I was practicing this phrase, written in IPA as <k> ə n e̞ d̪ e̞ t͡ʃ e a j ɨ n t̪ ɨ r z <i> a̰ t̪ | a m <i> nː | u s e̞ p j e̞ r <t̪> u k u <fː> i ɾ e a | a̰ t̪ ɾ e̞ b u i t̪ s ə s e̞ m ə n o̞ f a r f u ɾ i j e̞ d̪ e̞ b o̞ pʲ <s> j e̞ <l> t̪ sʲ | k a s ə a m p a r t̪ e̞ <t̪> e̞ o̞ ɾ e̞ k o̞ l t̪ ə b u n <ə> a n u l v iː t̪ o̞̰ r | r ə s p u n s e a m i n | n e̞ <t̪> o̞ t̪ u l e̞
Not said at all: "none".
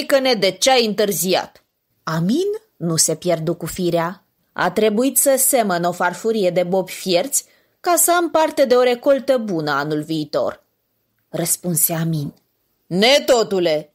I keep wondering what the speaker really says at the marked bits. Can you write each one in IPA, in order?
k, i, i, d̪, f, f, r, d̪, ə, t̪

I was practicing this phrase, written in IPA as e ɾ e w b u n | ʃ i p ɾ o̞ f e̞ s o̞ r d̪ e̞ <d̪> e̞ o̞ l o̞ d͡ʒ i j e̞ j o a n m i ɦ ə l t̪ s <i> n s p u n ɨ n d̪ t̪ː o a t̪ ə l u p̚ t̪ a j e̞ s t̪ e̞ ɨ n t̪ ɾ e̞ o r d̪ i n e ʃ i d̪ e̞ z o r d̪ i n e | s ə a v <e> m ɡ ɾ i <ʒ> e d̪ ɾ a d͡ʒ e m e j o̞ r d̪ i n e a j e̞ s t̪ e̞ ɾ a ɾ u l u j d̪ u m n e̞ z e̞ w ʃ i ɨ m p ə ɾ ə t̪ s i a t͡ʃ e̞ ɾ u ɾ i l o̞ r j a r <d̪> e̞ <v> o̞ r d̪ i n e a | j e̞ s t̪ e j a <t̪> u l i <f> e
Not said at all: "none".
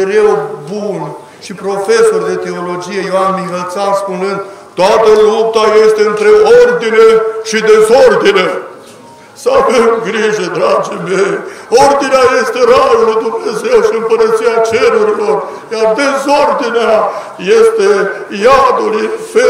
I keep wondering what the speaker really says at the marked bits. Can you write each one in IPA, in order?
t̪, a, e, ʒ, d̪, z, d̪, f

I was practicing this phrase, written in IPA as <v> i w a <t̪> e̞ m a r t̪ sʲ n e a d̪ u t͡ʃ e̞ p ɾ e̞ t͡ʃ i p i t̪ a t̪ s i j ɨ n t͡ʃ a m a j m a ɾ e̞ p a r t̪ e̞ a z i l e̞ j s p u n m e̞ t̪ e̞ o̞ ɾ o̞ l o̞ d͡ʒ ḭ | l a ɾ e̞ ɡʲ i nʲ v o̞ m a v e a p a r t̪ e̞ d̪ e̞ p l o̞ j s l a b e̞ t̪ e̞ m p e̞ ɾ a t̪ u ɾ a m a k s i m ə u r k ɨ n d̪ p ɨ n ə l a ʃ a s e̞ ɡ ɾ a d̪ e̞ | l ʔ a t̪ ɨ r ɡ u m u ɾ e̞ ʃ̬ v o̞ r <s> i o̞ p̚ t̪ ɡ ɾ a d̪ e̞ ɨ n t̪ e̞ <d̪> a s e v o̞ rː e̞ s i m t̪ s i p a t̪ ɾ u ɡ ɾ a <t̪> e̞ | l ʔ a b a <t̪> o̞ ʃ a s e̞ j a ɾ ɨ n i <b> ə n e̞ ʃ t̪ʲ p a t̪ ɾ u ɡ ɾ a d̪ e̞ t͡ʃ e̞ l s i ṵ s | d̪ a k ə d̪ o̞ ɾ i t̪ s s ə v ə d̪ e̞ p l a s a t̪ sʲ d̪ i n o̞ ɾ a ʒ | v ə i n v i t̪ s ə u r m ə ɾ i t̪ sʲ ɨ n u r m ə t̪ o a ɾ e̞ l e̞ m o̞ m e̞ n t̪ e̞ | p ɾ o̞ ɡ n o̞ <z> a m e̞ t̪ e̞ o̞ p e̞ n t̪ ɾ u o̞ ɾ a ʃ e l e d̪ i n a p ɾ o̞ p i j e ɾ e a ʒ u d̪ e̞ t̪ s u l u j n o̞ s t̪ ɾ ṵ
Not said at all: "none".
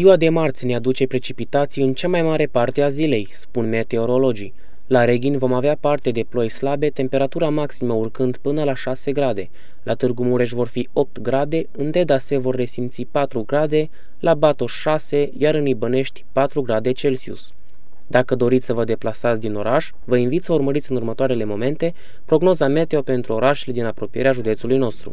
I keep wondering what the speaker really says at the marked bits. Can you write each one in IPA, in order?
z, d̪, f, d̪, d̪, t̪, b, z

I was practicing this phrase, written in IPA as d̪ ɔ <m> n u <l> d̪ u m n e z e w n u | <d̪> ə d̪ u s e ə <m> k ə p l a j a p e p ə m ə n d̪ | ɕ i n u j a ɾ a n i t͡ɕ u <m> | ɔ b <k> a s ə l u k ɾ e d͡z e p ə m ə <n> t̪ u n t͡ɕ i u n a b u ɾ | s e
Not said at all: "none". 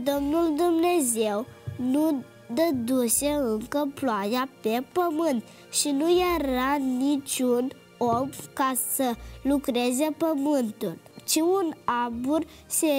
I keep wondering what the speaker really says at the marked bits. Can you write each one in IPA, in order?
m, l, d̪, ŋ, n, k, n

